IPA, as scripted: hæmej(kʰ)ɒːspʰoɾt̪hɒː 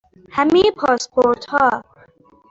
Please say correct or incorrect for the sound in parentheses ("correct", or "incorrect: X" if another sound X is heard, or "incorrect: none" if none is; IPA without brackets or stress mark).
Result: incorrect: pʰ